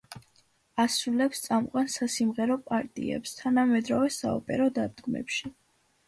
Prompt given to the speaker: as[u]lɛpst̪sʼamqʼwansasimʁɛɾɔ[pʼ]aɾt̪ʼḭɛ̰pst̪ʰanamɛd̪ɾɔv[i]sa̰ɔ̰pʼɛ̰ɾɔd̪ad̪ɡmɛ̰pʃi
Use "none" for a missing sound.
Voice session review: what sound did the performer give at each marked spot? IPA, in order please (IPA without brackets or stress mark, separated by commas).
u, pʼ, ɛ